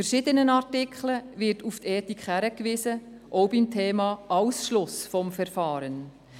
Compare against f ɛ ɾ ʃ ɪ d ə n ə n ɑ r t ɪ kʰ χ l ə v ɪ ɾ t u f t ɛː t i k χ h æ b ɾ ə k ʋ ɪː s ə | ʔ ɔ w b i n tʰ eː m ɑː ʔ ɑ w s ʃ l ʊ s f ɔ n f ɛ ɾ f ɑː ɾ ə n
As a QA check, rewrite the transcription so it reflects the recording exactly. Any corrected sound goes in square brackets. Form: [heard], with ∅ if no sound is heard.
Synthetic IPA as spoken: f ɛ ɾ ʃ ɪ d ə n ə n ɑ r t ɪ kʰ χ l ə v ɪ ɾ t u f t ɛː t i k χ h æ [∅] ɾ ə k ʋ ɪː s ə | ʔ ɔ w b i [m] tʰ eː m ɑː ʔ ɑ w s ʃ l ʊ s f ɔ [m] f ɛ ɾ f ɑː ɾ ə n